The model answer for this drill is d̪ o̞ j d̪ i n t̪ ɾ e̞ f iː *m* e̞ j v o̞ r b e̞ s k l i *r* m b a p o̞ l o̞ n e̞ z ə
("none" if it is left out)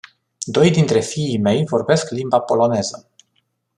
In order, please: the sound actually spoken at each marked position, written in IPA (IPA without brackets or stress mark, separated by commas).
m, none